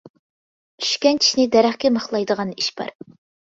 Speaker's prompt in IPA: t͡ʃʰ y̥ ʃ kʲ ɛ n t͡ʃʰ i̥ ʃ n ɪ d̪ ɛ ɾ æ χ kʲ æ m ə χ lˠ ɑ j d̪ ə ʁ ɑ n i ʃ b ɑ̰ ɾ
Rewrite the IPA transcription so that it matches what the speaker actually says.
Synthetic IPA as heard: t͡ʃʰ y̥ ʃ kʲ ɛ n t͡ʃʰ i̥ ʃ n ɪ d̪ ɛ ɾ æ χ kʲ ɛ m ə χ lˠ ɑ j d̪ ə ʁ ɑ n i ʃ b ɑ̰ ɾ